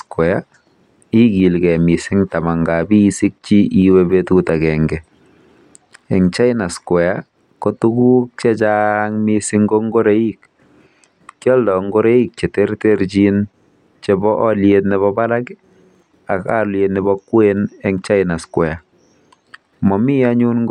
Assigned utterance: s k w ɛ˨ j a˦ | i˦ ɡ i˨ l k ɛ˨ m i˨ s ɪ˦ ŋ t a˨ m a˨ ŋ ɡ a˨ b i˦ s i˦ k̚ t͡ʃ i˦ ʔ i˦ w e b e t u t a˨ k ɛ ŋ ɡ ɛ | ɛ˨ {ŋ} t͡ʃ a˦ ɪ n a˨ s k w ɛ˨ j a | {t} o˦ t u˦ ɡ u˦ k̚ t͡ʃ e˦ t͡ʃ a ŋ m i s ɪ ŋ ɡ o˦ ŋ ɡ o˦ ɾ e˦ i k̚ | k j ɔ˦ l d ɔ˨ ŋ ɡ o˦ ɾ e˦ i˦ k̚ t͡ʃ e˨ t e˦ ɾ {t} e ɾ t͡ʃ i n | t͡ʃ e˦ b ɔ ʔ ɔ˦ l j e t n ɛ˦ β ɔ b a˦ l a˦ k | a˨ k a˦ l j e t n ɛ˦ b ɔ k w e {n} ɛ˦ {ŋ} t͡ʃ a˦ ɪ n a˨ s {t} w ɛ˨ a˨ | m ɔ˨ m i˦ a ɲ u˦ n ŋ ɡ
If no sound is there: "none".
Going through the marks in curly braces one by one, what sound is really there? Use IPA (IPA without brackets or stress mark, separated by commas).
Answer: ŋ, k, t, n, ŋ, k